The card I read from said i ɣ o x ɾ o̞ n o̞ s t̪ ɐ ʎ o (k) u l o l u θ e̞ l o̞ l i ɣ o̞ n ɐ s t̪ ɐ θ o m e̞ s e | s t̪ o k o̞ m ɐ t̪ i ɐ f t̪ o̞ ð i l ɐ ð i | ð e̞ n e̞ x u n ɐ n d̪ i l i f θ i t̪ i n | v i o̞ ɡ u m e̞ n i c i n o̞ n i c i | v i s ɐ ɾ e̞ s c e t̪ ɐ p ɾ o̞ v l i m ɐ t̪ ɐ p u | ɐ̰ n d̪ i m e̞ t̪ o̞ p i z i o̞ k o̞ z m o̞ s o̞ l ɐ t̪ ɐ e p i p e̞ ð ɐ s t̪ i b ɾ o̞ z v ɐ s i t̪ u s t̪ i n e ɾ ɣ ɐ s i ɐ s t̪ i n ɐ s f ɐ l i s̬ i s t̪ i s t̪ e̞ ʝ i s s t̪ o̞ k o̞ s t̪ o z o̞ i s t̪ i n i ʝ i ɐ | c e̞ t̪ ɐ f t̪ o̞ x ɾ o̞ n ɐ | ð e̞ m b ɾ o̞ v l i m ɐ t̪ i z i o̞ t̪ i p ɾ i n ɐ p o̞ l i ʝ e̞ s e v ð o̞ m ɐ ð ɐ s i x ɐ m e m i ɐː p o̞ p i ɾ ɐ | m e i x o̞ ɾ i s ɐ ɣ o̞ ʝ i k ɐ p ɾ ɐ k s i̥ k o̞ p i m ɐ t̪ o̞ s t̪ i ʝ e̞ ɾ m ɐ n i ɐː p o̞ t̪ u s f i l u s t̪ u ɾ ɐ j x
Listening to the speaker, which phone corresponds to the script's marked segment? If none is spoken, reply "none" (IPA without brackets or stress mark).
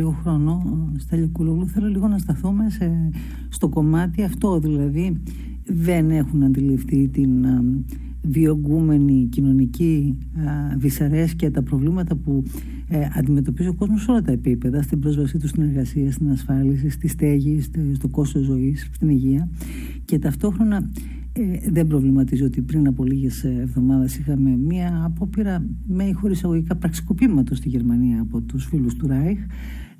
k